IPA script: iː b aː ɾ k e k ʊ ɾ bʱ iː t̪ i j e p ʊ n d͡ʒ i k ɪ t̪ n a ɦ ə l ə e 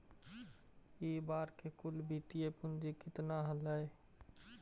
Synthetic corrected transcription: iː b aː ɾ k e k ʊ l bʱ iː t̪ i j e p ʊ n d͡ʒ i k ɪ t̪ n a ɦ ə l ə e

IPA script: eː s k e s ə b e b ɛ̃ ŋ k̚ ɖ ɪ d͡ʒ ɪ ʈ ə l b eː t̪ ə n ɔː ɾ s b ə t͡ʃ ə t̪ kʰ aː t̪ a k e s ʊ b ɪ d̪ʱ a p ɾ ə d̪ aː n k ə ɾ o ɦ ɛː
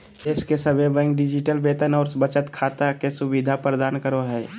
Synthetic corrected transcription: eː s k e s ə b e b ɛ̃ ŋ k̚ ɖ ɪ d͡ʒ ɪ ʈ ə l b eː t̪ ə n ɔː ɾ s b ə t͡ʃ ə t̪ kʰ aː t̪ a k e s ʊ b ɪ d̪ʱ a p ɾ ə d̪ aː n k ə ɾ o ɦ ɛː

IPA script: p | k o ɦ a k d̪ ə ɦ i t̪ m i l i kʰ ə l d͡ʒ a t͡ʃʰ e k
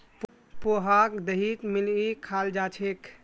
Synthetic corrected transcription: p | p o ɦ a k d̪ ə ɦ i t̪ m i l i kʰ a l d͡ʒ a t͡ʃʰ e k

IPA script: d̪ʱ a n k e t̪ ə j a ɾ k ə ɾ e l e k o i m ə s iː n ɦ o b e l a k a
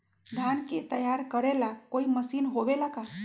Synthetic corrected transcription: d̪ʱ a n k e t̪ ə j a ɾ k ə ɾ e l a k o i m ə s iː n ɦ o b e l a k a

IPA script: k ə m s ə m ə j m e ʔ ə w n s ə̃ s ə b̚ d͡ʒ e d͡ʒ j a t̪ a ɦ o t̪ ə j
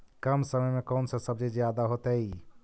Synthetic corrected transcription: k ə m s ə m ə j m e k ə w n s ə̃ s ə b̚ d͡ʒ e d͡ʒ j a d̪ a ɦ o t̪ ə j

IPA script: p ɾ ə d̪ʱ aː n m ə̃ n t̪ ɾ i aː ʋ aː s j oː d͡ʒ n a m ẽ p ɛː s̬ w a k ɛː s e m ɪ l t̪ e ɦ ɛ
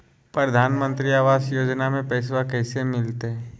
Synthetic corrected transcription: p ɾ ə d̪ʱ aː n m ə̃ n t̪ ɾ i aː ʋ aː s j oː d͡ʒ n a m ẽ p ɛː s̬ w a k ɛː s e m ɪ l t̪ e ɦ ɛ

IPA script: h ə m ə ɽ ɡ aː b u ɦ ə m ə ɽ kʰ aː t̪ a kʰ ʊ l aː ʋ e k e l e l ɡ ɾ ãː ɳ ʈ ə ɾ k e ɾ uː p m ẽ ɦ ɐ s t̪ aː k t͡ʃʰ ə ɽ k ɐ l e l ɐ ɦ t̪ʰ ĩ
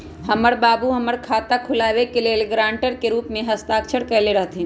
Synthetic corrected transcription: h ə m ə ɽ b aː b u ɦ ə m ə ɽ kʰ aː t̪ a kʰ ʊ l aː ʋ e k e l e l ɡ ɾ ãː ɳ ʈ ə ɾ k e ɾ uː p m ẽ ɦ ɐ s t̪ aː k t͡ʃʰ ə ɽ k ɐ l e ɾ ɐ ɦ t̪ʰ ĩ

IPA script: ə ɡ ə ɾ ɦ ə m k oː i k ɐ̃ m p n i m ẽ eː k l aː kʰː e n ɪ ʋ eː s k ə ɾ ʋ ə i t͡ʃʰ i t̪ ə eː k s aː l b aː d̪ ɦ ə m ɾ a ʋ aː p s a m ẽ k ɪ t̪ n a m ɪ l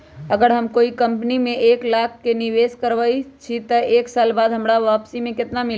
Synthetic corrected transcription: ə ɡ ə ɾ ɦ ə m k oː i k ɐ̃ m p n i m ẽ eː k l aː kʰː e n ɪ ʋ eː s k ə ɾ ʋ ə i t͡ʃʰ i t̪ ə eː k s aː l b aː d̪ ɦ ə m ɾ a ʋ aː p s i m ẽ k ɪ t̪ n a m ɪ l

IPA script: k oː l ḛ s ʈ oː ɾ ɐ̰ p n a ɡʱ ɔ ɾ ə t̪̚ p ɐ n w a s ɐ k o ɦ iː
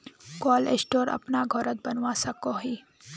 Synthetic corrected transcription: k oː l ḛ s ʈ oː ɾ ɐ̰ p n a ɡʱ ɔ ɾ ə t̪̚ b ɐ n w a s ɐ k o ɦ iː

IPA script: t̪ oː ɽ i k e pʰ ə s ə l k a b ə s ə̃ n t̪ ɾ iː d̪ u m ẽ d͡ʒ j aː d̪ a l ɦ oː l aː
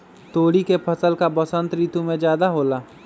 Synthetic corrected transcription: t̪ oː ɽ i k e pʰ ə s ə l k a b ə s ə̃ n t̪ ɾ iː t̪ u m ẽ d͡ʒ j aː d̪ a ɦ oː l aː

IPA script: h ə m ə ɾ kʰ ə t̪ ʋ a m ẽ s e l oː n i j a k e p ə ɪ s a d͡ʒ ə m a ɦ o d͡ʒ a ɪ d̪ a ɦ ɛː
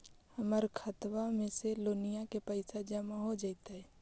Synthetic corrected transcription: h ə m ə ɾ kʰ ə t̪ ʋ a m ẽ s e l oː n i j a k e p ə ɪ s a d͡ʒ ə m a ɦ o d͡ʒ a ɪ t̪ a ɦ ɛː

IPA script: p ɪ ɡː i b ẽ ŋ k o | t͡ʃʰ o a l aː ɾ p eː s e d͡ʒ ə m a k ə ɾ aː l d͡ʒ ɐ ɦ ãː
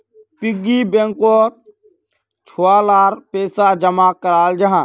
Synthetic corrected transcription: p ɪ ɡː i b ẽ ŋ k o | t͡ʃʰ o a l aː ɾ p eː s a d͡ʒ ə m a k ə ɾ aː l d͡ʒ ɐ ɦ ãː

